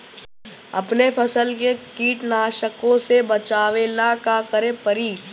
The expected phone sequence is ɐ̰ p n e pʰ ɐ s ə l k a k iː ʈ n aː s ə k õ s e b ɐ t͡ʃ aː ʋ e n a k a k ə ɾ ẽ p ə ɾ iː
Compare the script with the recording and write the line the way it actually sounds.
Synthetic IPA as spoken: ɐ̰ p n e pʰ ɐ s ə l k e k iː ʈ n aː ʃ ə k õ s e b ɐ t͡ʃ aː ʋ e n a k a k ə ɾ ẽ p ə ɾ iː